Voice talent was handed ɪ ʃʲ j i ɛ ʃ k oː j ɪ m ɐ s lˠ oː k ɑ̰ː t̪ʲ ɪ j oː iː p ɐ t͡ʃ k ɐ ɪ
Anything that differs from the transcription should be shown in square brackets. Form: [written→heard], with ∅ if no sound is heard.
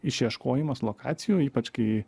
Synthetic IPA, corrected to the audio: ɪ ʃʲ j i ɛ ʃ k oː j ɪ m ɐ s lˠ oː k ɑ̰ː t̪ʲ ɪ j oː iː p ɐ t͡ʃ k ɐ ɪ